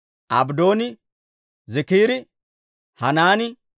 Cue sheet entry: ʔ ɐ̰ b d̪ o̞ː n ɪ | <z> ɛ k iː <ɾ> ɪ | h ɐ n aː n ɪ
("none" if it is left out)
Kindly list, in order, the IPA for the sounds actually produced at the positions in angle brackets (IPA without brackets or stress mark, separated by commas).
z, ɾ